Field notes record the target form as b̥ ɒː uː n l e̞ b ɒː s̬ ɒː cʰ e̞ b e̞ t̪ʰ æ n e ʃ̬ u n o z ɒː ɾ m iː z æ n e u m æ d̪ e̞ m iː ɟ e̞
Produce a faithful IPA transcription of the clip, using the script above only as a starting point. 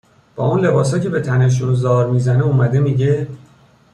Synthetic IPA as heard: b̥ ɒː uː n l e̞ b ɒː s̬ ɒː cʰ e̞ b e̞ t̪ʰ æ n e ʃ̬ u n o z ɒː ɾ m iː z æ n e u m æ d̪ e̞ m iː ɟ e̞